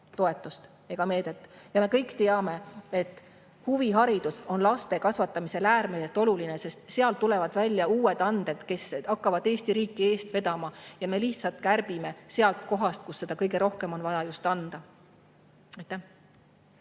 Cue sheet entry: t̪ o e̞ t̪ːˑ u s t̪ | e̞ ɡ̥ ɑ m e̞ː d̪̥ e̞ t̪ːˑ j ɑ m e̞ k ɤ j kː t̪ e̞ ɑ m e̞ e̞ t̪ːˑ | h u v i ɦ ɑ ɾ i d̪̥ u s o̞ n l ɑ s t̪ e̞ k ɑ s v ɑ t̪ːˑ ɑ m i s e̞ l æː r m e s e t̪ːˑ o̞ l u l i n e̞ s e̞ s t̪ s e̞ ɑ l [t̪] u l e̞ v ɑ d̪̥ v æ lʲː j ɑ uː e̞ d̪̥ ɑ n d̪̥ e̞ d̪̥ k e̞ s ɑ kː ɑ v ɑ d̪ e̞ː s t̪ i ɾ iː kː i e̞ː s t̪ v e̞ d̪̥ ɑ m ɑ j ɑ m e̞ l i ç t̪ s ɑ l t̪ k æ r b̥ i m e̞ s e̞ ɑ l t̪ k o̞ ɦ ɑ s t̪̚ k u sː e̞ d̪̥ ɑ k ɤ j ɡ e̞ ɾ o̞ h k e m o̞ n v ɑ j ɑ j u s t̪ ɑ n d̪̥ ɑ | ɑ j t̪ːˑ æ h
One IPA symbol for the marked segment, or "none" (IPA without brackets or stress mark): t̪